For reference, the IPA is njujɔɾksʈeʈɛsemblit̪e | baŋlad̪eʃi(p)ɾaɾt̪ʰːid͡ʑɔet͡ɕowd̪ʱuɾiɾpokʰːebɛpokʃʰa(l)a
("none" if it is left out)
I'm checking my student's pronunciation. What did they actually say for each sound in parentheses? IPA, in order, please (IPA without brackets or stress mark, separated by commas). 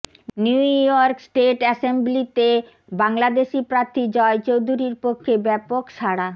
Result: p, ɽ